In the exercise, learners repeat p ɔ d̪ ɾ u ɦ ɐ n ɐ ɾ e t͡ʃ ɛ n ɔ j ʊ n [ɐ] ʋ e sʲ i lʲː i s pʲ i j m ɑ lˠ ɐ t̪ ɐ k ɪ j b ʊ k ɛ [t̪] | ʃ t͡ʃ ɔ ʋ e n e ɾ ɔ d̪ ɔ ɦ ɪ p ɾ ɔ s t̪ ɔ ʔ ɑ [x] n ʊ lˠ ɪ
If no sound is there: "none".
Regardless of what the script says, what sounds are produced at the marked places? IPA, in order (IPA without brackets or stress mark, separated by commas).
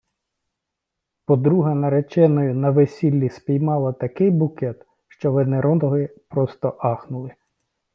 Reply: ɐ, t̪, x